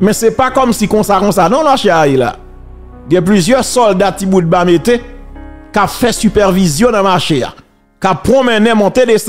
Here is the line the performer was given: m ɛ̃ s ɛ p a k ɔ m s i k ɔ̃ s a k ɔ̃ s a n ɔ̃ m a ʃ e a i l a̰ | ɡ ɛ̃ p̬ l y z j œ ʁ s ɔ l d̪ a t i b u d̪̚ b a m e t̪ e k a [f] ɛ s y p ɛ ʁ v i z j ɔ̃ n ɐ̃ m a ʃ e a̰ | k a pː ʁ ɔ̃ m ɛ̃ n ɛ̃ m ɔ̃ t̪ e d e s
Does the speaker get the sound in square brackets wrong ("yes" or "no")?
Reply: no